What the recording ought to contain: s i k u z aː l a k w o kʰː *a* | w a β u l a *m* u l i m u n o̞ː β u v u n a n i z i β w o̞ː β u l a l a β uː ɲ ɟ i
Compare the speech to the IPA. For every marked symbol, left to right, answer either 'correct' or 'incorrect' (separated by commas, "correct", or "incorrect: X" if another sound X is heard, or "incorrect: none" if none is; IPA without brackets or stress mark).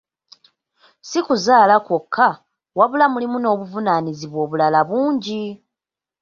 correct, correct